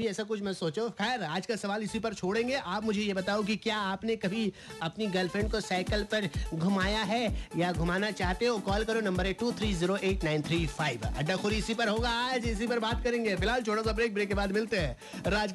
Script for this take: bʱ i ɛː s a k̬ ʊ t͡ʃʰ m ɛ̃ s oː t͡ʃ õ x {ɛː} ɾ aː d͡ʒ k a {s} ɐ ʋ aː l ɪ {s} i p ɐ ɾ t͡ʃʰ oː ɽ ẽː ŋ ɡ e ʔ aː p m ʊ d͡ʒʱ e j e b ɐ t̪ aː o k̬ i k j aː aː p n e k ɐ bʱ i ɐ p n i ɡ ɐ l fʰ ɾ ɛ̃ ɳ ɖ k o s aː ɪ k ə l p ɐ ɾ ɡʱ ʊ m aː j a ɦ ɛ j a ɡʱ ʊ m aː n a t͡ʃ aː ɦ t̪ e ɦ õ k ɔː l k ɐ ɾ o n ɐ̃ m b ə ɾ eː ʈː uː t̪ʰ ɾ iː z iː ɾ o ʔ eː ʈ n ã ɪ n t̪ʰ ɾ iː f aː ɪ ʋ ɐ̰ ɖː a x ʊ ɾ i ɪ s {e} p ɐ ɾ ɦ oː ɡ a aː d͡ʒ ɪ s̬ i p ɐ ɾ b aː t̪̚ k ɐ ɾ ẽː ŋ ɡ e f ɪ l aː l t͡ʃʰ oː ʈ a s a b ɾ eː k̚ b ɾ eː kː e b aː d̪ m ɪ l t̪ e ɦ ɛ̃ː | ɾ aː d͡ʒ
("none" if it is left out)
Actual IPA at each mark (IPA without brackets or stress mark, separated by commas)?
ɛː, s, s, i